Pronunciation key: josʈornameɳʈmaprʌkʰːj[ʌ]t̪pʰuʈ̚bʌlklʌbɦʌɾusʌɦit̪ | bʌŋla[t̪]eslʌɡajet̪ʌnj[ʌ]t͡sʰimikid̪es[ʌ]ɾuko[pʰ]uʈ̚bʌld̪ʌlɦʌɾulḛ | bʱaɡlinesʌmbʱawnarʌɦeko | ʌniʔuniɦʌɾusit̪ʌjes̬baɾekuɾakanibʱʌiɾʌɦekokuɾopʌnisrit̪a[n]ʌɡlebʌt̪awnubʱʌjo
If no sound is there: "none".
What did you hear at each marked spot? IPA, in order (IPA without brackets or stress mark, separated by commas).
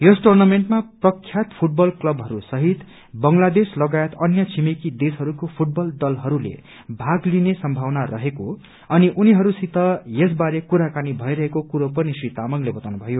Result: a, d̪, ʌ, ʌ, pʰ, m